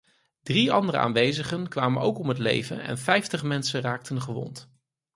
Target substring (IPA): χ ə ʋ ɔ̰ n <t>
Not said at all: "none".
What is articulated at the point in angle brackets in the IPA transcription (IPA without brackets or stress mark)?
t